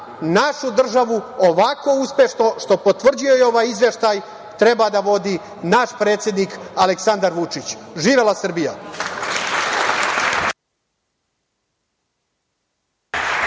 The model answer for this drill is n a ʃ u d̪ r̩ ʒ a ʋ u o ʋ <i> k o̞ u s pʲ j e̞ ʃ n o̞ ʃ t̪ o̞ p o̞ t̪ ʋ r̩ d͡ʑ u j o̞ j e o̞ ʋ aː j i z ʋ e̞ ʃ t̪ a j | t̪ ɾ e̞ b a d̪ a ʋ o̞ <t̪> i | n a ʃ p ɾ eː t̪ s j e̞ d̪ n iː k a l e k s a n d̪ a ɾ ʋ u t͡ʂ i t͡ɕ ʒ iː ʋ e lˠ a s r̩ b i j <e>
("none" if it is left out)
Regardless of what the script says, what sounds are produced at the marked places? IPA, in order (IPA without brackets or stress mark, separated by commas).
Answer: a, d̪, a